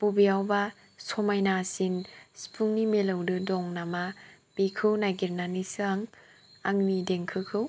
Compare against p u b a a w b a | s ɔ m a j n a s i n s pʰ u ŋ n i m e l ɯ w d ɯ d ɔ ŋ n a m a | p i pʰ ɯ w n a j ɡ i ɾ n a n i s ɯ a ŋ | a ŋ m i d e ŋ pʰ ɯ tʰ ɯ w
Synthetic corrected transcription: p u b i a w b a | s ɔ m a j n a s i n s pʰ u ŋ n i m e l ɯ w d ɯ d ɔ ŋ n a m a | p i kʰ ɯ w n a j ɡ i ɾ n a n i s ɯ a ŋ | a ŋ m i d e ŋ kʰ ɯ kʰ ɯ w